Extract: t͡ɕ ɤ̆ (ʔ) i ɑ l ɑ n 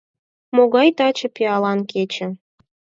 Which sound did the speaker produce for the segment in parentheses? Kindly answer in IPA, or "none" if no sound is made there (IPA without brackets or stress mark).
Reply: p